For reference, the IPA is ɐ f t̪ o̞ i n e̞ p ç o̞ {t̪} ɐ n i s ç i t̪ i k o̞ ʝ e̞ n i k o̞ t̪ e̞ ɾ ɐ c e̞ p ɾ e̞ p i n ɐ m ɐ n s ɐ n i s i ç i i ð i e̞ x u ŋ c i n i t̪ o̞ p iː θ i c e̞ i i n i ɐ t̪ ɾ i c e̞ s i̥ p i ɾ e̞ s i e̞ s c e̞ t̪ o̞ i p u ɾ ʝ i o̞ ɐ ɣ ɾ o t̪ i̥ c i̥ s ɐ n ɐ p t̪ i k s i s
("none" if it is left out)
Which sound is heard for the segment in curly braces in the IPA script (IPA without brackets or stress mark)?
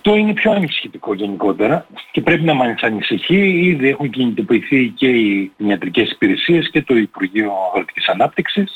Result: none